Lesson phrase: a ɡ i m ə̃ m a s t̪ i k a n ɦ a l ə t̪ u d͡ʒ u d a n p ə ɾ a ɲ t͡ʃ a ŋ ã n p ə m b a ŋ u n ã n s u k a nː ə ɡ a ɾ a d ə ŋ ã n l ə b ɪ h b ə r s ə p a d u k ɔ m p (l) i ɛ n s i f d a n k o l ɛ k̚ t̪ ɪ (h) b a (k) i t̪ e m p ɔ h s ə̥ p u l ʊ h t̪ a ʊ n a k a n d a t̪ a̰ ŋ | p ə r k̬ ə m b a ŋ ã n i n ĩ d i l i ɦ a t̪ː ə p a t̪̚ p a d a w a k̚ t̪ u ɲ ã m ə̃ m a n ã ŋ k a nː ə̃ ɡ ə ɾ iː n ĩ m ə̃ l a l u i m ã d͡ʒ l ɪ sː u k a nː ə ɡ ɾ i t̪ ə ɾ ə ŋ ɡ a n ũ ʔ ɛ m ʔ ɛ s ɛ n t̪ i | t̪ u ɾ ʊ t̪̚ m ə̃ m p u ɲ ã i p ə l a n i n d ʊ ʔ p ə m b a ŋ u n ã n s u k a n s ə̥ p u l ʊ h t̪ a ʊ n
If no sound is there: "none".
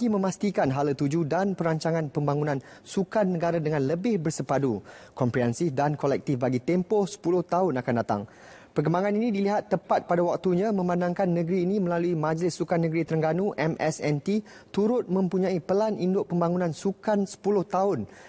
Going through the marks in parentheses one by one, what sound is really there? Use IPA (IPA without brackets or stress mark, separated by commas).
ɾ, f, ɡ